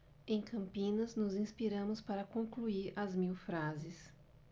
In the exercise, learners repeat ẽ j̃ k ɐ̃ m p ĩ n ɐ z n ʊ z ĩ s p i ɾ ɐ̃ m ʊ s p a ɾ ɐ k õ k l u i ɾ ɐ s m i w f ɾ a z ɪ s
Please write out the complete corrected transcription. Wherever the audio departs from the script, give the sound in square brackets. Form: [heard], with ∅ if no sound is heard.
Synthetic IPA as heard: ẽ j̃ k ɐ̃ m p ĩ n ɐ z n ʊ z ĩ s p i ɾ ɐ̃ m ʊ s p a ɾ ɐ k õ k l u i ɾ ɐ [z] m i w f ɾ a z ɪ s